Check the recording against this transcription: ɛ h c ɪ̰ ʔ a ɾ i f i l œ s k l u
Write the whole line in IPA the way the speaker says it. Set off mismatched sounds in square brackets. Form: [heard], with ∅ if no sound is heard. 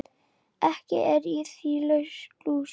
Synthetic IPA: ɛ h c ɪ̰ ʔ [ɛ] ɾ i [θ] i l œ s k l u